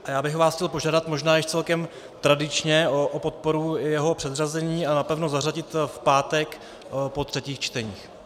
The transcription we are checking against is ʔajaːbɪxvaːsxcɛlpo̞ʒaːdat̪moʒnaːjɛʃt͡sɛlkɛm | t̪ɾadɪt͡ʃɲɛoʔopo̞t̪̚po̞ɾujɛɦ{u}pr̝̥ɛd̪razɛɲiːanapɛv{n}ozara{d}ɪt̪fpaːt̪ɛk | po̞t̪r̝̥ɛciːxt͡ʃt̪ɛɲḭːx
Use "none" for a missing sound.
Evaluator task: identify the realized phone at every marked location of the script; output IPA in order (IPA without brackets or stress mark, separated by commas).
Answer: o, n, ɟ